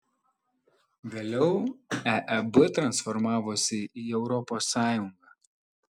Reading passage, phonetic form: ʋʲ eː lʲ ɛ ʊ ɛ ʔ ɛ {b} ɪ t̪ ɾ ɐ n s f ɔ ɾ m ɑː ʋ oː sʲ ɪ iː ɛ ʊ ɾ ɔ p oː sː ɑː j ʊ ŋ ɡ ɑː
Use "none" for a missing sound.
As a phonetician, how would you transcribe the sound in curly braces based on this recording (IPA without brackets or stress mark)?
b